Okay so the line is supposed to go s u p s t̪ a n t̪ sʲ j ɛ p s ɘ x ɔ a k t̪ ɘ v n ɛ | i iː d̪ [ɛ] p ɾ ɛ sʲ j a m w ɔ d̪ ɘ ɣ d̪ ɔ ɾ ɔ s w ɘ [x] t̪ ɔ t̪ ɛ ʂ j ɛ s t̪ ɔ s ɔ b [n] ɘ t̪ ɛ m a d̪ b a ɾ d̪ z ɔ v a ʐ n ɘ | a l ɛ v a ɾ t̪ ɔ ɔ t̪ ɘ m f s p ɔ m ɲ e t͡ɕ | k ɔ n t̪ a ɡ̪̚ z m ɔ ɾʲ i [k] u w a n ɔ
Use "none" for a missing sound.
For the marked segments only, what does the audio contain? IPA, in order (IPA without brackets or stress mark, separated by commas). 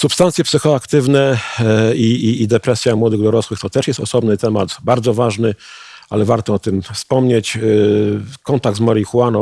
ɛ, x, n, x